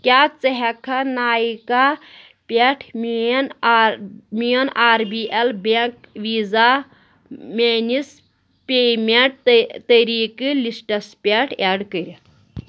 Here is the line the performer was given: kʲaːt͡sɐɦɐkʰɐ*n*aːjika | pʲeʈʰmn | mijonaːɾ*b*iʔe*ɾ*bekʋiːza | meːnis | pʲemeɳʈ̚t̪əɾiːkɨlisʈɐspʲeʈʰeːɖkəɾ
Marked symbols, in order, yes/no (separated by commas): yes, yes, no